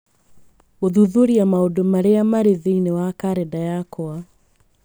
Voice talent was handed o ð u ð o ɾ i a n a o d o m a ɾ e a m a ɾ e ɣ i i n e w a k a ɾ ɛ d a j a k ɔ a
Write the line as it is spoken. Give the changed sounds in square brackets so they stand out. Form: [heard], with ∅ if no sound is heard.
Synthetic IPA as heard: o ð u ð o ɾ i a [m] a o d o m a ɾ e a m a ɾ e [ð] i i n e w a k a ɾ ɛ d a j a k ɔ a